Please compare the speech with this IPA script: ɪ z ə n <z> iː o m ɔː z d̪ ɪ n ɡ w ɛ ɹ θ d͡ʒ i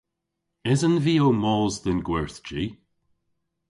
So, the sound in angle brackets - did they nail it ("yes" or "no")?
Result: no